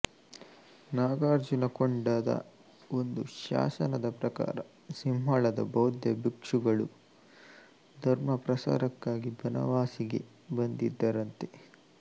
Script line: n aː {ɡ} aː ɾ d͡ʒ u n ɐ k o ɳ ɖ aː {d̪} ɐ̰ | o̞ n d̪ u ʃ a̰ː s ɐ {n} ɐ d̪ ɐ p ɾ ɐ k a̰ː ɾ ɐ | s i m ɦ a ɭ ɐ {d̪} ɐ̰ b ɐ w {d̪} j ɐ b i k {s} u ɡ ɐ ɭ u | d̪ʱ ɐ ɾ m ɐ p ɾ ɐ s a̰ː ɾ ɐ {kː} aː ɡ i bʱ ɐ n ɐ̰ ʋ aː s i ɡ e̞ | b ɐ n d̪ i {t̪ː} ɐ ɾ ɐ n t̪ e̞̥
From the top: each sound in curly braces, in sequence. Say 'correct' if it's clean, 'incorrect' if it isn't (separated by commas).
correct, correct, correct, correct, correct, incorrect, correct, incorrect